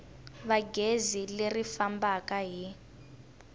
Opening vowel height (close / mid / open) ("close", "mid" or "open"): open